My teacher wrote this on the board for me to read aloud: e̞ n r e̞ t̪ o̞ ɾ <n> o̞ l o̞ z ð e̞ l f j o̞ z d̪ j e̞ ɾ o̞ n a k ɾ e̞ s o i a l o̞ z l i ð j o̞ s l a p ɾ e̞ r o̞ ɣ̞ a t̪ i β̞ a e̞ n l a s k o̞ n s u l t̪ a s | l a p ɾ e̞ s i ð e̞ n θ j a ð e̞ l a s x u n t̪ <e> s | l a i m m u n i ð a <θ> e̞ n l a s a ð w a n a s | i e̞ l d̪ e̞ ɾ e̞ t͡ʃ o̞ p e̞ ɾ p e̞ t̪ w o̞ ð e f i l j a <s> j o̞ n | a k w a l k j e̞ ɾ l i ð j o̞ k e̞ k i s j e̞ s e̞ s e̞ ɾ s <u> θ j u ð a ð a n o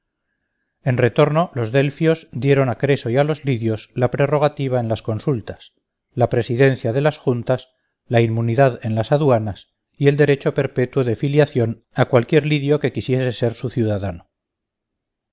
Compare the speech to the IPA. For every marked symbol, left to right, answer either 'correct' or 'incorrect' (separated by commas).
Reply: correct, incorrect, incorrect, incorrect, correct